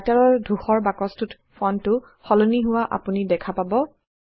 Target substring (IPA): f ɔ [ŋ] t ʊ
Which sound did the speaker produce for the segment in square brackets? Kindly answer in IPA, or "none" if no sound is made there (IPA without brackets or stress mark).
n